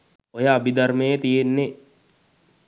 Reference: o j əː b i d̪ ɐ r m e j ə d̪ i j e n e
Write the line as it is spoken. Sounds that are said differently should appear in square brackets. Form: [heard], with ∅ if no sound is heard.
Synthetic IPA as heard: o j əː b i d̪ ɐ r m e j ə [t̪] i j e [nː] e